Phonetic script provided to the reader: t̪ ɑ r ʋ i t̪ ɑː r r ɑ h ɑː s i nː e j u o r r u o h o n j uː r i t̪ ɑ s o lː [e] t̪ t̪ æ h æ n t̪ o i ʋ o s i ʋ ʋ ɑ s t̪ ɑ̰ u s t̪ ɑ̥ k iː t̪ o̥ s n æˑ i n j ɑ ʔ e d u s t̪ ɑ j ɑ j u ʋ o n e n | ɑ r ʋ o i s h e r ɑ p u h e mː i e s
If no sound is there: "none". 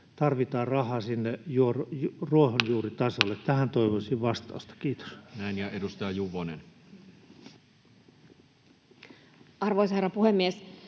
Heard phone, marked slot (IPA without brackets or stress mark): e